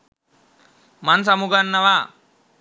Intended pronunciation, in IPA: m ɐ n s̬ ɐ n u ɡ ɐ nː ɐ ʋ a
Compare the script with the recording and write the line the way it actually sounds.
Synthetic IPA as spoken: m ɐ n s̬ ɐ m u ɡ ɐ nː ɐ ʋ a